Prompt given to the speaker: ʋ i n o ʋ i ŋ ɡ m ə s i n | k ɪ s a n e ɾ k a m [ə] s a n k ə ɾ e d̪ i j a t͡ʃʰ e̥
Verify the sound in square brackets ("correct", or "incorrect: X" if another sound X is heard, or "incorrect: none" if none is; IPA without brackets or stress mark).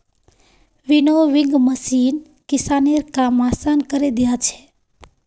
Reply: incorrect: a